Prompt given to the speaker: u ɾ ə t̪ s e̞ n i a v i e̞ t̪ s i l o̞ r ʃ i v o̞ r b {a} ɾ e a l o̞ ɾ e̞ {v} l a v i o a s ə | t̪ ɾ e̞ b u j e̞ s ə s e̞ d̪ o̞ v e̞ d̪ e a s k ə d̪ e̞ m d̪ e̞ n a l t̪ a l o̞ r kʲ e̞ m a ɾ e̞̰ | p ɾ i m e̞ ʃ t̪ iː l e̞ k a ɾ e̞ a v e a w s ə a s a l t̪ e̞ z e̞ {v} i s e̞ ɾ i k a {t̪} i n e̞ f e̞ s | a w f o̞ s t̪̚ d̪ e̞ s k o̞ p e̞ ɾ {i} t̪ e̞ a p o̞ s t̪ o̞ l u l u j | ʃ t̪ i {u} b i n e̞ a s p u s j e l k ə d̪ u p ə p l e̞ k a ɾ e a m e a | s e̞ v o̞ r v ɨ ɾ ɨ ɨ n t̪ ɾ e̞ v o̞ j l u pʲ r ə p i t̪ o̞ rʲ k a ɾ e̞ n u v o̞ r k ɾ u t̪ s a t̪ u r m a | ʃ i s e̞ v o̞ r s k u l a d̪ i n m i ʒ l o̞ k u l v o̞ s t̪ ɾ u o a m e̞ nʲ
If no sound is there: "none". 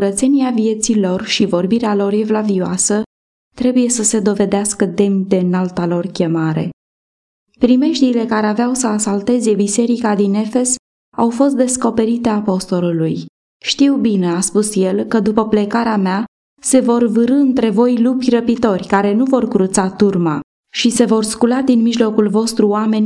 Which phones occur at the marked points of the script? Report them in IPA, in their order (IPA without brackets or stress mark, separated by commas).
i, v, b, d̪, i, w